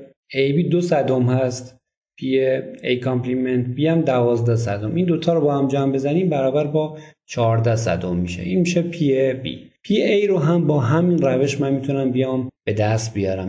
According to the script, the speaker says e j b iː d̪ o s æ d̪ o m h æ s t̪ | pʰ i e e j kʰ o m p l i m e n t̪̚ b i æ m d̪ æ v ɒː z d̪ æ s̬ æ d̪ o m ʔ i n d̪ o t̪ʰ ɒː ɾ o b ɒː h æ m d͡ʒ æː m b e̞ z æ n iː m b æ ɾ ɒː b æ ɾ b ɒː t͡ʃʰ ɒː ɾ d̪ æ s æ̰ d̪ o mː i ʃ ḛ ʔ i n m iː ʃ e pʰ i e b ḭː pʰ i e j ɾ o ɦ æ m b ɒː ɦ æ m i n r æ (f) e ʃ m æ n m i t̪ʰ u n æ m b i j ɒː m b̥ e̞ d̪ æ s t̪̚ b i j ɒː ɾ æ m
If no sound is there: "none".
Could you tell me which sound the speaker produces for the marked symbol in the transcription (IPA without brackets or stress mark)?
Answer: v